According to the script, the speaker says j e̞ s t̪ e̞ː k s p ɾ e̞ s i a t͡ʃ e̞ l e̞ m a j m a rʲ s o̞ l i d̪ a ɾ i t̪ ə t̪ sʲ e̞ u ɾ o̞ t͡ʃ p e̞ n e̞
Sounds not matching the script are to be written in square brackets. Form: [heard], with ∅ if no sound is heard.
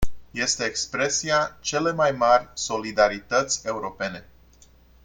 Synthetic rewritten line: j e̞ s t̪ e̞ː k s p ɾ e̞ s i a t͡ʃ e̞ l e̞ m a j m a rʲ s o̞ l i d̪ a ɾ i t̪ ə t̪ sʲ e̞ u ɾ o̞ [∅] p e̞ n e̞

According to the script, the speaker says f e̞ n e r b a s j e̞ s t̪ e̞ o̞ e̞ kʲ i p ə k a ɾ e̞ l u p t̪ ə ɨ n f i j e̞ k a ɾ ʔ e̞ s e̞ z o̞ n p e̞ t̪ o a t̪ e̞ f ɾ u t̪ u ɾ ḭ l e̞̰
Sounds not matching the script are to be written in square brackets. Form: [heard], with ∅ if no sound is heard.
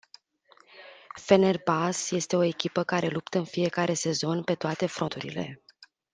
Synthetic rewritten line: f e̞ n e r b a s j e̞ s t̪ e̞ o̞ e̞ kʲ i p ə k a ɾ e̞ l u p t̪ ə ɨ n f i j e̞ k a ɾ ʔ e̞ s e̞ z o̞ n p e̞ t̪ o a t̪ e̞ f ɾ [o] t̪ u ɾ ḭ l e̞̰

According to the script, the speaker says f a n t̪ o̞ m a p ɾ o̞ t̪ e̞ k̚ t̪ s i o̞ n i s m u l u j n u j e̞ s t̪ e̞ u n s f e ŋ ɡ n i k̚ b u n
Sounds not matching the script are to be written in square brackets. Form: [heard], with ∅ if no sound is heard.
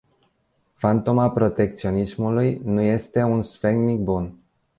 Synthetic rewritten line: f a n t̪ o̞ m a p ɾ o̞ t̪ e̞ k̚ t̪ s i o̞ n i s m u l u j n u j e̞ s t̪ e̞ u n s f e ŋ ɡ n i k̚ b u n

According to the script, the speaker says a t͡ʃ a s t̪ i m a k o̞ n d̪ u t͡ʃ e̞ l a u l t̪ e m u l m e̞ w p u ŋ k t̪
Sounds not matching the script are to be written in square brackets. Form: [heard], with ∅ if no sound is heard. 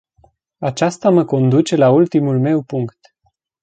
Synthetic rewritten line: a t͡ʃ a s t̪ [a] m [ə] k o̞ n d̪ u t͡ʃ e̞ l a u l t̪ [i] m u l m e̞ w p u ŋ k t̪

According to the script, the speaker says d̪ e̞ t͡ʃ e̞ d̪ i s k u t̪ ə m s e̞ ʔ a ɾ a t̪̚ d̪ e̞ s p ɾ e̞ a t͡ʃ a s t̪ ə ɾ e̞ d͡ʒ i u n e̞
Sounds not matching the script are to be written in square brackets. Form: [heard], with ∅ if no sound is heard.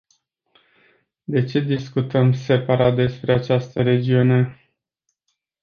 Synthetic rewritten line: d̪ e̞ t͡ʃ e̞ d̪ i s k u t̪ ə m s e̞ [p] a ɾ a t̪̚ d̪ e̞ s p ɾ e̞ a t͡ʃ a s t̪ ə ɾ e̞ d͡ʒ i u n e̞

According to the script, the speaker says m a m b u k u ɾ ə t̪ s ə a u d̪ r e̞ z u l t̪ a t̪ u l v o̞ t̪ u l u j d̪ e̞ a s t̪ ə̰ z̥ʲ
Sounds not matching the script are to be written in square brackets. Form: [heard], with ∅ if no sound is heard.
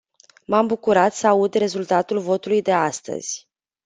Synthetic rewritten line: m a m b u k u ɾ [a] t̪ s ə a u d̪ r e̞ z u l t̪ a t̪ u l v o̞ t̪ u l u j d̪ e̞ a s t̪ ə̰ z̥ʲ

